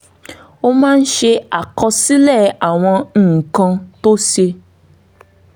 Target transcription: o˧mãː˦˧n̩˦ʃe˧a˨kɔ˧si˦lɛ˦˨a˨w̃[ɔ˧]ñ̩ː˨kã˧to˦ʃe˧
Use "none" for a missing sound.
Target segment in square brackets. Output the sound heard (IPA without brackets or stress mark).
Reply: ɔ̃˧